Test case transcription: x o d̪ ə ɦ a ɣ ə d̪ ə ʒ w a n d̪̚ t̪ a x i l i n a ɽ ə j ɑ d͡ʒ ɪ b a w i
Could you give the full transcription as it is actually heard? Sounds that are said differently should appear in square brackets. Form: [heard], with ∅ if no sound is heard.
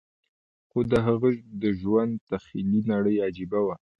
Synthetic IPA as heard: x o d̪ ə ɦ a ɣ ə d̪ ə ʒ w a n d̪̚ t̪ a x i l i n a ɽ ə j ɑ d͡ʒ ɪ b a w [a]